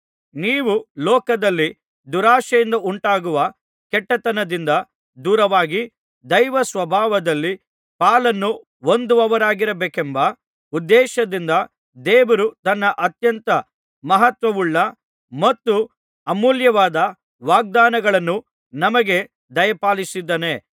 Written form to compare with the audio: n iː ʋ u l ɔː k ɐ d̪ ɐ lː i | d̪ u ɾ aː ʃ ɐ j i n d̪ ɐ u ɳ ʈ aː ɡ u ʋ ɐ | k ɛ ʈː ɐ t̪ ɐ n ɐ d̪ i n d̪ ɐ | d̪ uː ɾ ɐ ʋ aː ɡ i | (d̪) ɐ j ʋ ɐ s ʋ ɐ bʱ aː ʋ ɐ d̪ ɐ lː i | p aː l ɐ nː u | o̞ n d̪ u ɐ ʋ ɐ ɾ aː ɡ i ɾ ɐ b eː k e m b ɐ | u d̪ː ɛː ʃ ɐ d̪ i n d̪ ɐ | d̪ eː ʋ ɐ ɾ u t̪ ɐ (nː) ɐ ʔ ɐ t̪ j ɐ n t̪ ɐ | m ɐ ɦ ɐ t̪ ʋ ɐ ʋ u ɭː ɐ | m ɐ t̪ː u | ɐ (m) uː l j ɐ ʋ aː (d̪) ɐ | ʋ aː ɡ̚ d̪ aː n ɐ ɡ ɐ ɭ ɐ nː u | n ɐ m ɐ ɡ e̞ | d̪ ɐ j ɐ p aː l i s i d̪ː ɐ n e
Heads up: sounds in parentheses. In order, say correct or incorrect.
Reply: correct, correct, correct, correct

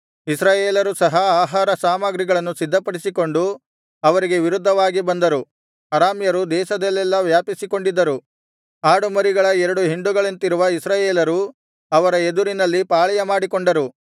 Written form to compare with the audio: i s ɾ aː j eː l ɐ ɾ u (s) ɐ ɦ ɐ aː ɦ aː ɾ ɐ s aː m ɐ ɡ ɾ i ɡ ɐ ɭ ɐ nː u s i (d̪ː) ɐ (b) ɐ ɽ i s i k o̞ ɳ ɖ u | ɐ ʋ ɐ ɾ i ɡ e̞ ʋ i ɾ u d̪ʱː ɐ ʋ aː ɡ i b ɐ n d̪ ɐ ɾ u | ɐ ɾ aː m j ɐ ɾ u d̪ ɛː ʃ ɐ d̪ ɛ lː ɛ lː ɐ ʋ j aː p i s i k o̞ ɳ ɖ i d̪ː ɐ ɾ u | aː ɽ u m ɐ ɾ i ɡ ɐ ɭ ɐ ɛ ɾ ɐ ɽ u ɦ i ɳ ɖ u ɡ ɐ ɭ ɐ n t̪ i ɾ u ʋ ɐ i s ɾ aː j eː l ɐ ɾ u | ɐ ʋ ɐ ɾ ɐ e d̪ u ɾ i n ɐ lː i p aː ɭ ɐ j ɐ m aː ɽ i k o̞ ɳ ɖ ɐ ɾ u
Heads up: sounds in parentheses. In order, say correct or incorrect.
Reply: correct, correct, incorrect

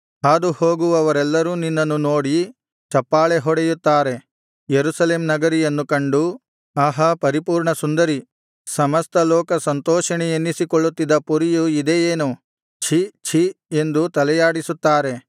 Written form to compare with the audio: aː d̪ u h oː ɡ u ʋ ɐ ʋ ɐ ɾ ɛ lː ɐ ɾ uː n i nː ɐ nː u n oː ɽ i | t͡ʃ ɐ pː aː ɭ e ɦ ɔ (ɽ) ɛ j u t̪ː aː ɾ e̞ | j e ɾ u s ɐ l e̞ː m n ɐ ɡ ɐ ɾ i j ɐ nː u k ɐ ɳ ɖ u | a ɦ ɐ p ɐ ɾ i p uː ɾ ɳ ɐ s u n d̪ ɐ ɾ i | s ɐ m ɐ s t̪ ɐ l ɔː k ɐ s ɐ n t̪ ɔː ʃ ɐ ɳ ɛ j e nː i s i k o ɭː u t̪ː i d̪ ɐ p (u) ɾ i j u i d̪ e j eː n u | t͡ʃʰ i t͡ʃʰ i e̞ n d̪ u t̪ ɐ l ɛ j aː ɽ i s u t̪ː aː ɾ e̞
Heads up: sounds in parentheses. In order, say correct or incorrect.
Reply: correct, correct

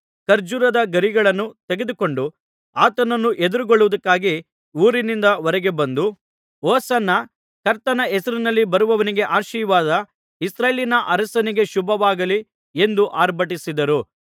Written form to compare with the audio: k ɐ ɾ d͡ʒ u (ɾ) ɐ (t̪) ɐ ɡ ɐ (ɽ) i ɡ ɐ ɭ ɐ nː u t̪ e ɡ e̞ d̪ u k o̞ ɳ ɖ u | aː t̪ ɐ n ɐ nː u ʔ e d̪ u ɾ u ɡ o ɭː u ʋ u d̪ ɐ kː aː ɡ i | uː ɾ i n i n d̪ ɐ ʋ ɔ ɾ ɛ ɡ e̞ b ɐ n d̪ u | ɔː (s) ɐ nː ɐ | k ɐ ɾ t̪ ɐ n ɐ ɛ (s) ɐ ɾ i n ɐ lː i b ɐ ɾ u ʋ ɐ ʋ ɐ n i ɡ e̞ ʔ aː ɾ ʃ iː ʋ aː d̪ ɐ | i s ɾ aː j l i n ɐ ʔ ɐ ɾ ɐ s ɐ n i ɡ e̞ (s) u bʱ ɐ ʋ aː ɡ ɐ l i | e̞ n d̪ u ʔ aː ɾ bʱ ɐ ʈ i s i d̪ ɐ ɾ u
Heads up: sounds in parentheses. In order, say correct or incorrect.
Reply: correct, incorrect, incorrect, correct, correct, incorrect

